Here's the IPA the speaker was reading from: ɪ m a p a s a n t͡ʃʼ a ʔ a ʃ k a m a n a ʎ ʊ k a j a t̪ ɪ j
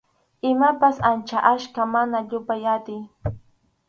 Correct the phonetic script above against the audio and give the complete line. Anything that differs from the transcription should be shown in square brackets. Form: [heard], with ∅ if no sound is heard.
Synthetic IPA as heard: ɪ m a p a s a n [t͡ʃ] a ʔ a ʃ k a m a n a ʎ ʊ [p] a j a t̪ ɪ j